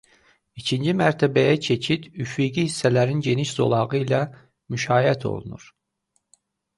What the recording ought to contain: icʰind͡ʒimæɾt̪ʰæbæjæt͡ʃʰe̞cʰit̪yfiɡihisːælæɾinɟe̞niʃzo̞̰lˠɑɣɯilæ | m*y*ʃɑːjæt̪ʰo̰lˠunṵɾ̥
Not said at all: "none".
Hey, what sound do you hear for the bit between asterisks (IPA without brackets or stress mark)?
y